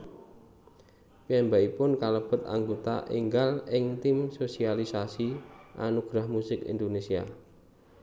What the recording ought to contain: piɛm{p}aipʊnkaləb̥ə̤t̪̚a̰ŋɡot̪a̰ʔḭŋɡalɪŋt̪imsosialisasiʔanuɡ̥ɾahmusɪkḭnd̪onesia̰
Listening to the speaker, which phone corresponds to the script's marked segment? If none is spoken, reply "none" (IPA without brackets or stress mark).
b